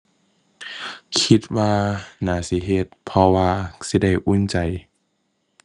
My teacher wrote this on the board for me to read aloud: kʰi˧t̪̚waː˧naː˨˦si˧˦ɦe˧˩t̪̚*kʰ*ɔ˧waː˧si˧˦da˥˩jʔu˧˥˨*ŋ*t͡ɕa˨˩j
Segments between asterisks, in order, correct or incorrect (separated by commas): incorrect, incorrect